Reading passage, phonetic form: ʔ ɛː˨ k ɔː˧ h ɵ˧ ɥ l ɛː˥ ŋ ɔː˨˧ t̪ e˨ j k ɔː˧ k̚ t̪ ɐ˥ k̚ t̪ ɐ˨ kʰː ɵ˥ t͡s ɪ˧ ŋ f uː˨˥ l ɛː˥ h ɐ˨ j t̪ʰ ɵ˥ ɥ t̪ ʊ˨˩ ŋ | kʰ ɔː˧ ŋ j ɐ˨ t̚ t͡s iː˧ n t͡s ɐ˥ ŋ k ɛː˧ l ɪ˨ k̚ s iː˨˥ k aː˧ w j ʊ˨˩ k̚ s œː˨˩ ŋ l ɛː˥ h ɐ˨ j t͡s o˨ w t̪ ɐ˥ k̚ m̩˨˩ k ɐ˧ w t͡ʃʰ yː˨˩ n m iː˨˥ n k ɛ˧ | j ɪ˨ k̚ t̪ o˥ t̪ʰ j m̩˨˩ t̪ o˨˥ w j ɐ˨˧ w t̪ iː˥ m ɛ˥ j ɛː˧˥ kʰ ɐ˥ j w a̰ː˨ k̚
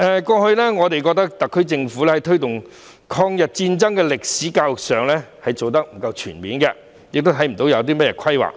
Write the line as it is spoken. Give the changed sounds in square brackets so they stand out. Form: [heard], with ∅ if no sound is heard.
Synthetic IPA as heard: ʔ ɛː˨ k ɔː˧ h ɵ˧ ɥ l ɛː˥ ŋ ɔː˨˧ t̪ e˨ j k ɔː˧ k̚ t̪ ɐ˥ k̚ t̪ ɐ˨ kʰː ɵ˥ t͡s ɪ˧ ŋ f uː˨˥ l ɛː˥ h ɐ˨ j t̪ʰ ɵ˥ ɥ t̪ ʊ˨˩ ŋ | kʰ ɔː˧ ŋ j ɐ˨ t̚ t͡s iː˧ n t͡s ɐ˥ ŋ k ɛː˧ l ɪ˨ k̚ s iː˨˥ k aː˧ w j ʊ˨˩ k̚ s œː˨˩ ŋ l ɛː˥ h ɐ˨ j t͡s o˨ w t̪ ɐ˥ k̚ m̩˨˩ k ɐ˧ w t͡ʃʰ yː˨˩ n m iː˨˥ n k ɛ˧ | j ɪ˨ k̚ t̪ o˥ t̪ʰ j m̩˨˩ t̪ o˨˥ w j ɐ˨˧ w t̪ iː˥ m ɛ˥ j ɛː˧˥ kʰ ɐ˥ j w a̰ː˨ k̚